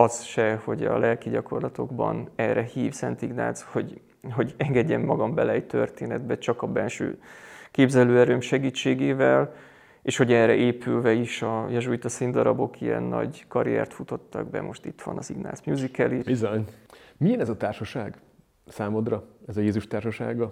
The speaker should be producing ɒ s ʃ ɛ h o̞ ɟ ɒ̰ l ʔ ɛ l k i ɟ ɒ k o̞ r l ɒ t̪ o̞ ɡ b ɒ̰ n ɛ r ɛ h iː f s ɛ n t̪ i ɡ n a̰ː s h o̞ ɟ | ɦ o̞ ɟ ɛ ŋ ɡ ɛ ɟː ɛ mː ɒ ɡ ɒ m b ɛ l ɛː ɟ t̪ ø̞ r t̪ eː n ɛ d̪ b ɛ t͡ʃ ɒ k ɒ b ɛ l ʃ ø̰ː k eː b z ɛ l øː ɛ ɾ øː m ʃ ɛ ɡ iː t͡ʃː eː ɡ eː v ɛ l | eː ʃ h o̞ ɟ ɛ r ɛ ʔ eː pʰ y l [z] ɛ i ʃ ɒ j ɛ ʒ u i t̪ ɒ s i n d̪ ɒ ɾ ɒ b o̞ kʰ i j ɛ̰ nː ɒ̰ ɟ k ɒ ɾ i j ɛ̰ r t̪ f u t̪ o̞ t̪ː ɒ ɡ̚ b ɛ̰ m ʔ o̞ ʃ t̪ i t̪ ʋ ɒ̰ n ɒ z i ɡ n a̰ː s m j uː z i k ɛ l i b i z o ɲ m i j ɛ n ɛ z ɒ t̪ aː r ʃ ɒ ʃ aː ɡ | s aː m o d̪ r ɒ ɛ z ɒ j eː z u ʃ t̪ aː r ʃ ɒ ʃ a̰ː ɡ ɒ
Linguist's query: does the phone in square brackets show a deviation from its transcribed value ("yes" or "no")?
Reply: yes